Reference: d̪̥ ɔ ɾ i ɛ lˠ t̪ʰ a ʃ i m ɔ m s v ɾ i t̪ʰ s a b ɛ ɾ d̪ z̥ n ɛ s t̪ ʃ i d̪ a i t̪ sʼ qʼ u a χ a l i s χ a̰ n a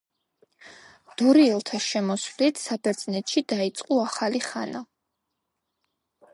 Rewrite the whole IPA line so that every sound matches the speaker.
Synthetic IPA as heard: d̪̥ ɔ ɾ i ɛ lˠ t̪ʰ a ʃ ɛ m ɔ s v l i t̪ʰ s a b ɛ ɾ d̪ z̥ n ɛ t̪ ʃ i d̪ a i t̪ sʼ qʼ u a χ a l i χ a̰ n a